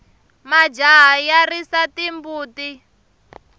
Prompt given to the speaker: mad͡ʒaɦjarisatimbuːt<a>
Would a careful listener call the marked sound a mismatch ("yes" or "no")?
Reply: yes